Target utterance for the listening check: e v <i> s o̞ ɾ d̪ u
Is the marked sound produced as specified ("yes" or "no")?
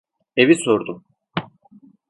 yes